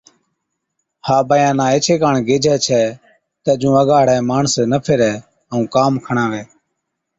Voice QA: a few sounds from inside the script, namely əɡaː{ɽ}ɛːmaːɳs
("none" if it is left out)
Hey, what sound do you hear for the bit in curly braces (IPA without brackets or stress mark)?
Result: ɽ